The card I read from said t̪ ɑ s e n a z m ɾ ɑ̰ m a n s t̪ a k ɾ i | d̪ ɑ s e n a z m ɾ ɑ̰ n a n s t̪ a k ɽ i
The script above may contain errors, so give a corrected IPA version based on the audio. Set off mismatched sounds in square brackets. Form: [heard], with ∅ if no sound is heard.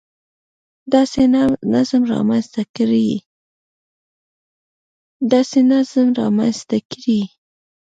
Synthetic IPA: [d̪] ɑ s e n a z m ɾ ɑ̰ m a n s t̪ a k ɾ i | d̪ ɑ s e n a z m ɾ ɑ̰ [m] a n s t̪ a k [ɾ] i